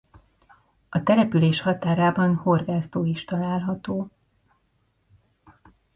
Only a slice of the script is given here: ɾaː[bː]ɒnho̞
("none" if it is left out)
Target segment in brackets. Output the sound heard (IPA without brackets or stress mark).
b